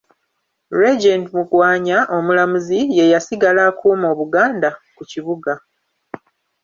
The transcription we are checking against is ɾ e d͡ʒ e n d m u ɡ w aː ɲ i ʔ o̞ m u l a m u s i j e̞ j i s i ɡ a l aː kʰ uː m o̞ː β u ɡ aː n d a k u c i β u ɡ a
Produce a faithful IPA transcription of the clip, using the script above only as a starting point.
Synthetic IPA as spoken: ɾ e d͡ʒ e n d m u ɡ w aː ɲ a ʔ o̞ m u l a m u z i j e̞ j a s i ɡ a l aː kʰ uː m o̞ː β u ɡ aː n d a k u c i β u ɡ a